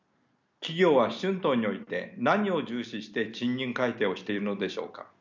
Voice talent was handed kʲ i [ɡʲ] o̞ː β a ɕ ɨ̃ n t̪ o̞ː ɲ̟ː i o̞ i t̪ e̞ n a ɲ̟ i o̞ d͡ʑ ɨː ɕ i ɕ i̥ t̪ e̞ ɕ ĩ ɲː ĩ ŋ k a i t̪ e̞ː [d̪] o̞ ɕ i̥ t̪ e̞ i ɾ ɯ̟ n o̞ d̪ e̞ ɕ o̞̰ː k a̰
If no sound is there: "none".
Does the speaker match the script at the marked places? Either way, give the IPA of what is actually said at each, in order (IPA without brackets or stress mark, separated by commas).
ɡʲ, none